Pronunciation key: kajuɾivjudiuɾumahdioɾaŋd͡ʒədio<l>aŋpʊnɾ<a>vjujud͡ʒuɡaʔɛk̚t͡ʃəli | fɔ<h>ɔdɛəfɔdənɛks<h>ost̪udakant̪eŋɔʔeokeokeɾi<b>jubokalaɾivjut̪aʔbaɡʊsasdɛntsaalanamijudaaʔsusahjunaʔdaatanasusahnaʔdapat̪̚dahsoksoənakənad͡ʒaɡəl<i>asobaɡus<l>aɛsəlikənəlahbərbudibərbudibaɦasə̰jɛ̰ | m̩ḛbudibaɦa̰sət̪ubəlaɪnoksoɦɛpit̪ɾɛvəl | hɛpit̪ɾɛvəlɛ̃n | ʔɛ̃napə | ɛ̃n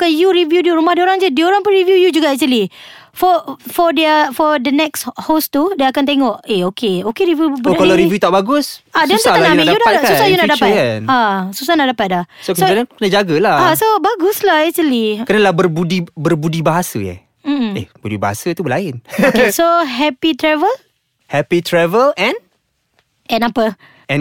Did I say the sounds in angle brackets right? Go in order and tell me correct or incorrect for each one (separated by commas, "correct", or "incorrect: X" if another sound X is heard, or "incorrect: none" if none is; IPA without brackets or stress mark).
incorrect: ɾ, incorrect: i, incorrect: f, correct, incorrect: v, incorrect: a, correct